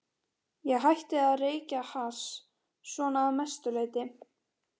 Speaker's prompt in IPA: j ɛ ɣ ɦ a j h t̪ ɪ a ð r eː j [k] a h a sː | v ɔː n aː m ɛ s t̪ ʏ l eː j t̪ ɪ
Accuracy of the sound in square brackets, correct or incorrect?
incorrect